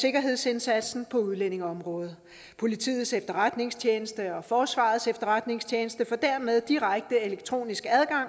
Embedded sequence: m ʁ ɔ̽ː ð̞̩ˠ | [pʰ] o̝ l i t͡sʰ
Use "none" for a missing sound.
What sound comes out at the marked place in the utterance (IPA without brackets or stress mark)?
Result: pʰ